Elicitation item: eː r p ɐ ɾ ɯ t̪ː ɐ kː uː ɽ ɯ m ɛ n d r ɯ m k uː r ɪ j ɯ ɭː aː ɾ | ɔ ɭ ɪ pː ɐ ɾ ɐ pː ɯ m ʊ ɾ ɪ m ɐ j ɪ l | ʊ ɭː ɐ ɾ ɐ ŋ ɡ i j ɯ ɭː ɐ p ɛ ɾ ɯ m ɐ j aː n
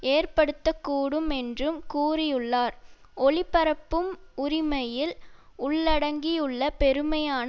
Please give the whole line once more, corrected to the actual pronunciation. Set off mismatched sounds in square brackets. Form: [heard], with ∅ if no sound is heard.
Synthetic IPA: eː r p ɐ [ɽ] ɯ t̪ː ɐ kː uː ɽ ɯ m ɛ n d r ɯ m k uː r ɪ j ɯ ɭː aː ɾ | ɔ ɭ ɪ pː ɐ ɾ ɐ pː ɯ m ʊ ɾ ɪ m ɐ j ɪ l | ʊ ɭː ɐ [ɽ] ɐ ŋ ɡ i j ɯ ɭː ɐ p ɛ ɾ ɯ m ɐ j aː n

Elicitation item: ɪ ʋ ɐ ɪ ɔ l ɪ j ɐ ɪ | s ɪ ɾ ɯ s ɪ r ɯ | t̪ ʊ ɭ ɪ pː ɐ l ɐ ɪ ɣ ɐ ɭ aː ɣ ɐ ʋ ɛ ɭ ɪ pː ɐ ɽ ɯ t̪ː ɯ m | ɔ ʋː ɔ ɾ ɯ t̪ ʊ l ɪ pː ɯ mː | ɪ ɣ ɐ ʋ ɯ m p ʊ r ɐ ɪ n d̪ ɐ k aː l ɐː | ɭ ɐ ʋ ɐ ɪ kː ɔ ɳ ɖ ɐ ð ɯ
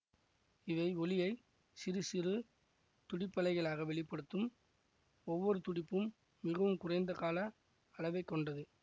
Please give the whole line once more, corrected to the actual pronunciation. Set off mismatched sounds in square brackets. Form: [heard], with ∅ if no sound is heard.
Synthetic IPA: ɪ ʋ ɐ ɪ ɔ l ɪ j ɐ ɪ | s ɪ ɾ ɯ s ɪ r ɯ | t̪ ʊ [ɽ] ɪ pː ɐ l ɐ ɪ ɣ ɐ ɭ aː ɣ ɐ ʋ ɛ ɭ ɪ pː ɐ ɽ ɯ t̪ː ɯ m | ɔ ʋː ɔ ɾ ɯ t̪ ʊ [ɽ] ɪ pː ɯ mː | ɪ ɣ ɐ ʋ ɯ m [k] ʊ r ɐ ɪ n d̪ ɐ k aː l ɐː | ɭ ɐ ʋ ɐ ɪ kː ɔ ɳ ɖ ɐ ð ɯ

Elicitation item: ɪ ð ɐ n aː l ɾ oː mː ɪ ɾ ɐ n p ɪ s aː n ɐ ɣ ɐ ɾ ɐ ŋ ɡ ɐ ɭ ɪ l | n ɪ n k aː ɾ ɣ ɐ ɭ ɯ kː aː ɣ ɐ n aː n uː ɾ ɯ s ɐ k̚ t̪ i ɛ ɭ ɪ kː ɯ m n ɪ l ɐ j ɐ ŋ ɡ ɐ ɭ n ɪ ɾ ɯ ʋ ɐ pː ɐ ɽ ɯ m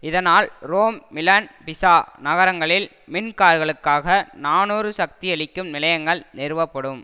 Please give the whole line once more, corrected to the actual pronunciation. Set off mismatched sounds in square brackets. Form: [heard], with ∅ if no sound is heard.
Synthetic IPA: ɪ ð ɐ n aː l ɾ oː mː ɪ [l] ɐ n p ɪ s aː n ɐ ɣ ɐ ɾ ɐ ŋ ɡ ɐ ɭ ɪ l | [m] ɪ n k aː ɾ ɣ ɐ ɭ ɯ kː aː ɣ ɐ n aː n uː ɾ ɯ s ɐ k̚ t̪ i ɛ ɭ ɪ kː ɯ m n ɪ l ɐ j ɐ ŋ ɡ ɐ ɭ n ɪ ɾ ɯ ʋ ɐ pː ɐ ɽ ɯ m

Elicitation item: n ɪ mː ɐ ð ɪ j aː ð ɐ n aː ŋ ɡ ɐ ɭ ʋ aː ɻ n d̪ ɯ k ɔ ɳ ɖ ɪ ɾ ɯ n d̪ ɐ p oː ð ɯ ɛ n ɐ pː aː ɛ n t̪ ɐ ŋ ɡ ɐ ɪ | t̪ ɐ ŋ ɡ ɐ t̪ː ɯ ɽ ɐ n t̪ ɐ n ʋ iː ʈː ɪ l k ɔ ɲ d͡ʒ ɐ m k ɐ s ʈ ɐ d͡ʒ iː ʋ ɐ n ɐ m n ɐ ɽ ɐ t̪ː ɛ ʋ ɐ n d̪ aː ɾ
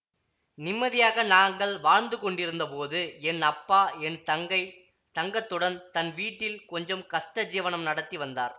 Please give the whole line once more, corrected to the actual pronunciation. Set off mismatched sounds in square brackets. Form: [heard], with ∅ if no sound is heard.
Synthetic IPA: n ɪ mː ɐ ð ɪ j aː [ɣ] ɐ n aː ŋ ɡ ɐ ɭ ʋ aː ɻ n d̪ ɯ k ɔ ɳ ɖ ɪ ɾ ɯ n d̪ ɐ p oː ð ɯ ɛ n ɐ pː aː ɛ n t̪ ɐ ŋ ɡ ɐ ɪ | t̪ ɐ ŋ ɡ ɐ t̪ː ɯ ɽ ɐ n t̪ ɐ n ʋ iː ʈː ɪ l k ɔ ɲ d͡ʒ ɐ m k ɐ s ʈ ɐ d͡ʒ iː ʋ ɐ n ɐ m n ɐ ɽ ɐ t̪ː [i] ʋ ɐ n d̪ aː ɾ

